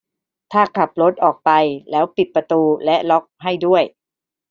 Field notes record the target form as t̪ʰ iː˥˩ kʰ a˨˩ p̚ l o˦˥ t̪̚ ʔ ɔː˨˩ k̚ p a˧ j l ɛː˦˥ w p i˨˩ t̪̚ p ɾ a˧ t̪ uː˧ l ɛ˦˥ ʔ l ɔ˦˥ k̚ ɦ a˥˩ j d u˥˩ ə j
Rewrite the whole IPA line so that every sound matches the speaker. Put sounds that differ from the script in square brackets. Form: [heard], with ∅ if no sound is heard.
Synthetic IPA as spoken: t̪ʰ [aː˥˩] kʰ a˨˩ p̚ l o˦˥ t̪̚ ʔ ɔː˨˩ k̚ p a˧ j l ɛː˦˥ w p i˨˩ t̪̚ p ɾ a˧ t̪ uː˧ l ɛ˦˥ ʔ l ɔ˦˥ k̚ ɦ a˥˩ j d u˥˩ ə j